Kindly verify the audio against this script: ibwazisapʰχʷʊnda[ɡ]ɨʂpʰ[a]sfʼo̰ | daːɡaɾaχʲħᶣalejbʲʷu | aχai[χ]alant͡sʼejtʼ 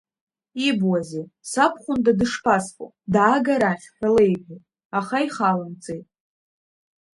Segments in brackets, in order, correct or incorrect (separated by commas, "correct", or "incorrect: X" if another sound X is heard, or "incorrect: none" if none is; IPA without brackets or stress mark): incorrect: d, correct, correct